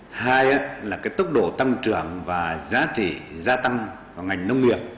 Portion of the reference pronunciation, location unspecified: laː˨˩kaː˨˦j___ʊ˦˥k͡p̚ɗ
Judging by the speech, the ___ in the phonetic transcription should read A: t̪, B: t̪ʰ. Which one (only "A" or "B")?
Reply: A